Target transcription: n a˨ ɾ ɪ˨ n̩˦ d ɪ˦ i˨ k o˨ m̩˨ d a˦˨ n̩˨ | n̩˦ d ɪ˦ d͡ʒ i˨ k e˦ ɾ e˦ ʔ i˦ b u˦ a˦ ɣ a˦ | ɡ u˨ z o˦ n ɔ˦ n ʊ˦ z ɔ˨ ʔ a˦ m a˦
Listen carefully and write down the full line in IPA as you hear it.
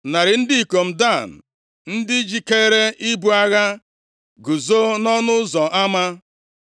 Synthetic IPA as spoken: n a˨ ɾ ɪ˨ n̩˦ d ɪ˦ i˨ k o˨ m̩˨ d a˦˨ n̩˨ | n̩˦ d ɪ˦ d͡ʒ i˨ k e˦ ɾ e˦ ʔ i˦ b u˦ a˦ ɣ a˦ | ɡ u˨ z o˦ n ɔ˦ n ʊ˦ z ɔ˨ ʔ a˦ m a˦